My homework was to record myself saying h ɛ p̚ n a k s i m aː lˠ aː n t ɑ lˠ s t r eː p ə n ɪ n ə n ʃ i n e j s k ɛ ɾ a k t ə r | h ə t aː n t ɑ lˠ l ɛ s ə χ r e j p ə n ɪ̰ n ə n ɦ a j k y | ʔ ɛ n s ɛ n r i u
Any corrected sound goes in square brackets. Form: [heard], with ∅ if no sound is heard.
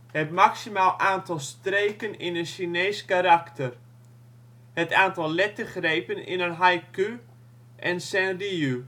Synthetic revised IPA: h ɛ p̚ [m] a k s i m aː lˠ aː n t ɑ lˠ s t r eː [k] ə n ɪ n ə n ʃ i n e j s k [a] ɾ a k t ə r | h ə t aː n t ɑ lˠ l ɛ [t] ə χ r e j p ə n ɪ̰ n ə n ɦ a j k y | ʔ ɛ n s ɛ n r i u